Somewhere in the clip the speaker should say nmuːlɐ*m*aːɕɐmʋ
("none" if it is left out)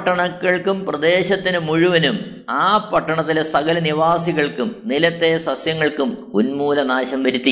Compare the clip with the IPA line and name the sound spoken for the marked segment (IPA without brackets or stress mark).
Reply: n